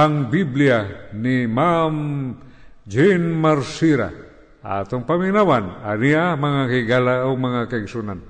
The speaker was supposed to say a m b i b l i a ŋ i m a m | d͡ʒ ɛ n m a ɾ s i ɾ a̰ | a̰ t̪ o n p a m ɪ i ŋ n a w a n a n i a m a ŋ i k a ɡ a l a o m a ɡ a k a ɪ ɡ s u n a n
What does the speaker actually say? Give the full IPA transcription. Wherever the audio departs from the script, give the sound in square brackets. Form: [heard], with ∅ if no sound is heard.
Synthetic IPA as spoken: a [ŋ] b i b l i a [n] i m a m | d͡ʒ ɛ n m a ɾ s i ɾ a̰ | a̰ t̪ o [ŋ] p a m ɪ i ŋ n a w a n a n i a m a ŋ [a] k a ɡ a l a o m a [ŋ] a k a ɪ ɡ s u n a n